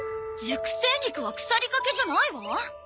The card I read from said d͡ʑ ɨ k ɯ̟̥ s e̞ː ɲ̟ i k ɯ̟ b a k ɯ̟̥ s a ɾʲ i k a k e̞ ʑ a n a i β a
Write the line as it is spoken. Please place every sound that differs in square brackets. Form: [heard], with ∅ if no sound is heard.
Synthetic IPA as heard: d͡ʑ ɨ k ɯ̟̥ s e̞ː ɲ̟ i k ɯ̟ [β] a k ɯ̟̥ s a ɾʲ i k a k e̞ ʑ a n a i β a